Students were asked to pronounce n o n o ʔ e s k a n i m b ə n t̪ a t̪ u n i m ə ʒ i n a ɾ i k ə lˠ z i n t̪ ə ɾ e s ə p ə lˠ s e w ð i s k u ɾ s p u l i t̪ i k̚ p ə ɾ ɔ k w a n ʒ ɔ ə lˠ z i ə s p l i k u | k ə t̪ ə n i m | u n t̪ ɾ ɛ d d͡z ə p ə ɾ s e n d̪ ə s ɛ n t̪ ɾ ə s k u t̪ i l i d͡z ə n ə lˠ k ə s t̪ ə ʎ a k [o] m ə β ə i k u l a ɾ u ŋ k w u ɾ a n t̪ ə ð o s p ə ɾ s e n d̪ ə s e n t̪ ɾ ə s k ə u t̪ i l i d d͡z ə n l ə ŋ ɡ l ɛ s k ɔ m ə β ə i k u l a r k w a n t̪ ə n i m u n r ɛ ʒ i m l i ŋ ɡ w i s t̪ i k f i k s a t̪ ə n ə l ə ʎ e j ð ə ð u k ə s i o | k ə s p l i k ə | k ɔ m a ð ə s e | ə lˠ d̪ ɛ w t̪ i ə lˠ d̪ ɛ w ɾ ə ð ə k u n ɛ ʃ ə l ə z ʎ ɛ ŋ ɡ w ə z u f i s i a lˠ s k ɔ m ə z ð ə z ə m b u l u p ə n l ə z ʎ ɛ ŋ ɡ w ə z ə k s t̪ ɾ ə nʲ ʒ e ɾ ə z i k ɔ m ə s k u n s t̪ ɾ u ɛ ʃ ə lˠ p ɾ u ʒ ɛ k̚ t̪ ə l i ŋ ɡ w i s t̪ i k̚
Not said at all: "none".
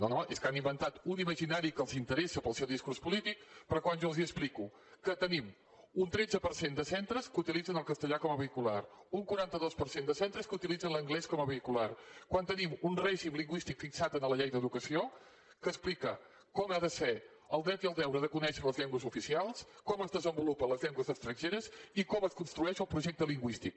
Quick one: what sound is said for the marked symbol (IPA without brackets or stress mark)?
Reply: ɔ